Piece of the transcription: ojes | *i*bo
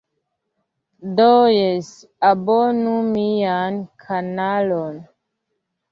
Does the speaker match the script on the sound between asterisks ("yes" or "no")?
no